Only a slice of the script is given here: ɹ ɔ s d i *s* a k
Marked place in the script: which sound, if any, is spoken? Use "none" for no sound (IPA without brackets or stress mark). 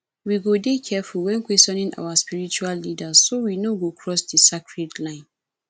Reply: s